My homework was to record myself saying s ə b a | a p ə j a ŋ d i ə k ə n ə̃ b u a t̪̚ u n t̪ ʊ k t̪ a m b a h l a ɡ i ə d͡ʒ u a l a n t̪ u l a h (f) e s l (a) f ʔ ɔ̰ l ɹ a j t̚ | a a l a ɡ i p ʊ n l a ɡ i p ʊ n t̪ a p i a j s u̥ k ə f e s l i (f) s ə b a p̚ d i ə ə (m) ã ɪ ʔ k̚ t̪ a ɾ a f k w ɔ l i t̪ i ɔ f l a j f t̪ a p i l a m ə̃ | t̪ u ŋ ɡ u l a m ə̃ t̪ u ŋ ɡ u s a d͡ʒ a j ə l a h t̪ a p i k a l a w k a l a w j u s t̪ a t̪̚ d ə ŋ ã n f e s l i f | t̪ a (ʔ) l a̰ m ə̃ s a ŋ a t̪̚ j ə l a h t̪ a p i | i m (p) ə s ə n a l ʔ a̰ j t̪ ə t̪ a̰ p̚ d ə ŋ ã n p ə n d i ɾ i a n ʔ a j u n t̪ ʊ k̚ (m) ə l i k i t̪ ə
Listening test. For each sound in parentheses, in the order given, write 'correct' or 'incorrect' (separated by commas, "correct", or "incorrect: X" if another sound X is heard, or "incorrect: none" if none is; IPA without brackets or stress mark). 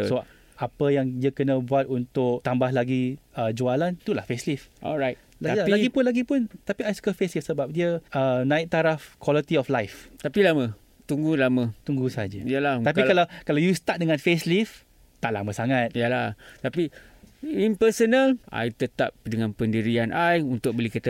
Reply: correct, incorrect: i, correct, incorrect: n, correct, correct, incorrect: b